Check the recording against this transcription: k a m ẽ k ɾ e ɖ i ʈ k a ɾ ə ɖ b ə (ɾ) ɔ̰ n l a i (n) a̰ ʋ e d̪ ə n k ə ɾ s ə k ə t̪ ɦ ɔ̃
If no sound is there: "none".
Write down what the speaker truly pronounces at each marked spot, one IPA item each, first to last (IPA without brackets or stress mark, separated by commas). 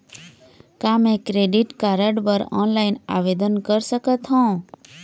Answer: ɾ, n